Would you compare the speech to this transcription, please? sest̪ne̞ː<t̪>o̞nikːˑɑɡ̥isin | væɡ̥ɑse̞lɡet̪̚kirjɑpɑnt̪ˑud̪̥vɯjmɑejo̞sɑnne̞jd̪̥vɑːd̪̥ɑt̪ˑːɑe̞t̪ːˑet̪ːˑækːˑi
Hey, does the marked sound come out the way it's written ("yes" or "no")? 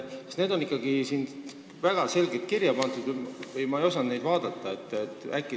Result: no